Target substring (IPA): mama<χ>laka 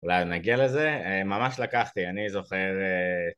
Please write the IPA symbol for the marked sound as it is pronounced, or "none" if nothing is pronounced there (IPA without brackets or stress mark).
ʃ